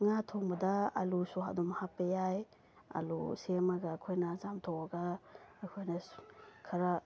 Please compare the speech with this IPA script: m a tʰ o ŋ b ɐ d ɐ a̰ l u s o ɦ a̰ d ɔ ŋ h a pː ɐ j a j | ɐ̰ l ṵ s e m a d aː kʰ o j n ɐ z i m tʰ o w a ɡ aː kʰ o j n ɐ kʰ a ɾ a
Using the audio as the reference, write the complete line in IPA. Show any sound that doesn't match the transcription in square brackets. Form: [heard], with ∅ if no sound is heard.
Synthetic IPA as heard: [ŋ] a tʰ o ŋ b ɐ d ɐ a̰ l u s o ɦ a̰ d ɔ [m] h a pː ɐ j a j | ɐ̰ l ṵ s e m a [ɡ] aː kʰ o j n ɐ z [a] m tʰ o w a ɡ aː kʰ o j n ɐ kʰ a ɾ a